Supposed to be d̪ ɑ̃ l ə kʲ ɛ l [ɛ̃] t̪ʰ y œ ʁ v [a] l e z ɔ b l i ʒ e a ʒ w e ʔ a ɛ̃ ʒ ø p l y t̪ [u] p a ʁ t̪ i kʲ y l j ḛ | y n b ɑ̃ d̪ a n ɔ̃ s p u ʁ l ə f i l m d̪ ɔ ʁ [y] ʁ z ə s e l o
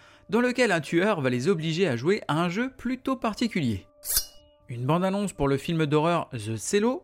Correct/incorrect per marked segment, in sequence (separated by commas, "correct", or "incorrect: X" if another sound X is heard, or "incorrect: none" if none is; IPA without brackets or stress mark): correct, correct, incorrect: o, incorrect: œ